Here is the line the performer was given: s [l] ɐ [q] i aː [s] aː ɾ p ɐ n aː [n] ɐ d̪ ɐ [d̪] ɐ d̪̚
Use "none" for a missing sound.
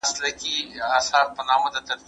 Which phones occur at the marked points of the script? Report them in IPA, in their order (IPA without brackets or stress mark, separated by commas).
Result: l, k, s, m, t̪